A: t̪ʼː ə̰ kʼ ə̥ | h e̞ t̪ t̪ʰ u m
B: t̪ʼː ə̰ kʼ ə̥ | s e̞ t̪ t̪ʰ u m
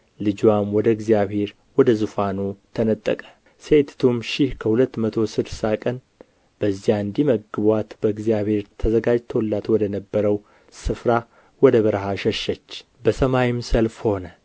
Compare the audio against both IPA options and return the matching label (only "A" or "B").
B